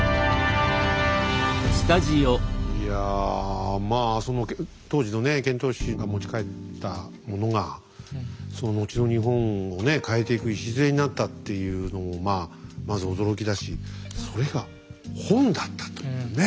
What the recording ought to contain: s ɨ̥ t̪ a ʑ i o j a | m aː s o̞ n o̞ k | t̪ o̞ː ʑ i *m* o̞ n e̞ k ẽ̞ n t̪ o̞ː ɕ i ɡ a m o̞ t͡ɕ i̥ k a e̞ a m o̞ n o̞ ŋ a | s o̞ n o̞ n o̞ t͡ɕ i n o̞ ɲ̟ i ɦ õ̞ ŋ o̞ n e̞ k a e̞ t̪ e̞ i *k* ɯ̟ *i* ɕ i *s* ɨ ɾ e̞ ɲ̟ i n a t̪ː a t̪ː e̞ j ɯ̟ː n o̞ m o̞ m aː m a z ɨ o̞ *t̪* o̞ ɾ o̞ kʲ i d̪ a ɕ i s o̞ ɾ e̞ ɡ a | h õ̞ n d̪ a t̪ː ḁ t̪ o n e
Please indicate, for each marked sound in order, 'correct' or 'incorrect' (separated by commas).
incorrect, correct, correct, incorrect, incorrect